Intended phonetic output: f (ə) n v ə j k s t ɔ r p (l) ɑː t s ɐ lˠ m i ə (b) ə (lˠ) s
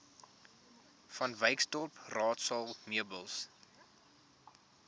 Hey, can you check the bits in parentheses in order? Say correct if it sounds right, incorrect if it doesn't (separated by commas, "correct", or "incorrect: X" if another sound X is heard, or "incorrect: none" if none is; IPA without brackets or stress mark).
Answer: incorrect: ɐ, incorrect: r, correct, correct